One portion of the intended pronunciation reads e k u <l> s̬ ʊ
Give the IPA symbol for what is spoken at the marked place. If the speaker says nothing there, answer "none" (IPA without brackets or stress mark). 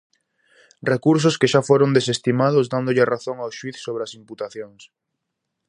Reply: ɾ